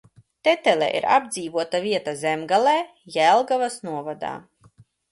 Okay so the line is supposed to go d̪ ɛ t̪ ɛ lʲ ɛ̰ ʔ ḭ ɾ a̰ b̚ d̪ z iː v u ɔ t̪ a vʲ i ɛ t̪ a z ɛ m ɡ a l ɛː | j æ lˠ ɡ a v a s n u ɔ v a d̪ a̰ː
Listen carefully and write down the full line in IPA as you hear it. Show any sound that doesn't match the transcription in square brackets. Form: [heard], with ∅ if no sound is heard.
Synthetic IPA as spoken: [t̪] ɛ t̪ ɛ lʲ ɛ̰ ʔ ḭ ɾ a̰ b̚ d̪ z iː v u ɔ t̪ a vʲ i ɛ t̪ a z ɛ m ɡ a l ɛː | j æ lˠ ɡ a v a s n u ɔ v a d̪ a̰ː